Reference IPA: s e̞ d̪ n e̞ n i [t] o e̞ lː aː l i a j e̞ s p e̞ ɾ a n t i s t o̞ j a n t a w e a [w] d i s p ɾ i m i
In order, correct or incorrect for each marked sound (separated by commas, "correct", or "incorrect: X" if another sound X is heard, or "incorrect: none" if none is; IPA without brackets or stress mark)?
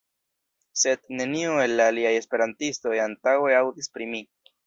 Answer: incorrect: none, correct